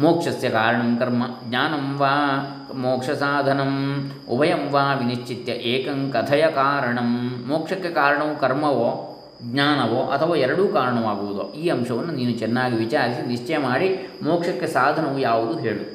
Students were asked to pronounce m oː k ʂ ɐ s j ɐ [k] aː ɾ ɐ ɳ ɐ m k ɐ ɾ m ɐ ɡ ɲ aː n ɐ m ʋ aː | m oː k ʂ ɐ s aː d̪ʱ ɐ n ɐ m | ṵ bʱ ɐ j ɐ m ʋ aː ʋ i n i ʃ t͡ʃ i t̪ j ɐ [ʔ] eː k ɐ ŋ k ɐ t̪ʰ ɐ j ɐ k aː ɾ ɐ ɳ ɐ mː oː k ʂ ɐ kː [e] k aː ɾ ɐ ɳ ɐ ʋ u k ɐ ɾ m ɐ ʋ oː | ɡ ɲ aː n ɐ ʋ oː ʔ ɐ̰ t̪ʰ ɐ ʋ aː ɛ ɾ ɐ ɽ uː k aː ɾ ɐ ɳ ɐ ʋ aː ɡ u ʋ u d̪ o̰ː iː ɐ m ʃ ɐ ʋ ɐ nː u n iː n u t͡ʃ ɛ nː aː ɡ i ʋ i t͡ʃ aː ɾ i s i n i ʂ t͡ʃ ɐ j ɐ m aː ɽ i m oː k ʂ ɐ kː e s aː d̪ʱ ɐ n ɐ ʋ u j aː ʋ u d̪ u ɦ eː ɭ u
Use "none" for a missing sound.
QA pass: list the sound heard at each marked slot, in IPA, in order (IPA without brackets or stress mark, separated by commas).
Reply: k, ʔ, e